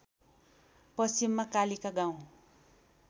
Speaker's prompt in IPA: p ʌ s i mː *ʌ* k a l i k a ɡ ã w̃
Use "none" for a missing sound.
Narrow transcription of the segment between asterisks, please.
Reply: a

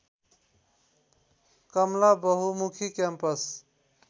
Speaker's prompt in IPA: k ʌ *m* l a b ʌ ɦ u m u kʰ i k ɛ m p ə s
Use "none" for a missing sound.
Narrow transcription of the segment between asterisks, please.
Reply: m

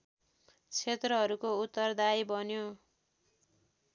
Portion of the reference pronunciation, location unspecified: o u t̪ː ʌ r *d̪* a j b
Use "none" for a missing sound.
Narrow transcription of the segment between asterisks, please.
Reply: d̪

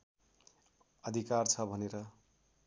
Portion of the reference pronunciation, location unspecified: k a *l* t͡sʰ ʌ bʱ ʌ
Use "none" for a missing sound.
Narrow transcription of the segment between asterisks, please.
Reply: r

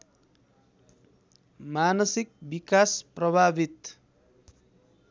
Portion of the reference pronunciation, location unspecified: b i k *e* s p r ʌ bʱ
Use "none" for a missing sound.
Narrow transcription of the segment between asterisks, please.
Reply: a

